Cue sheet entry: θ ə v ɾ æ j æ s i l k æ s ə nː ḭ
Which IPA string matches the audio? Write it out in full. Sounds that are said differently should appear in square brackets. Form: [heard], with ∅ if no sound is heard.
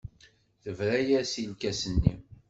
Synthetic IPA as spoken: θ ə v ɾ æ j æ s i l k æ s ə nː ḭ